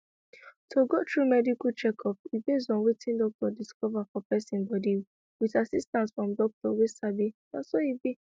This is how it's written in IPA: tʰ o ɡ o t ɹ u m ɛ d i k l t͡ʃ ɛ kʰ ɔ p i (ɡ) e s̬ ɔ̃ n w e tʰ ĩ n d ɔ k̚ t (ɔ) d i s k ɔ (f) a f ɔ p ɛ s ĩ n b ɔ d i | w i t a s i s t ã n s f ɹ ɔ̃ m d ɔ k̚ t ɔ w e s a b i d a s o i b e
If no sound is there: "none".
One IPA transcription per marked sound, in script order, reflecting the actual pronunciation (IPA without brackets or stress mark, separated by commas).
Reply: b, ɔ, v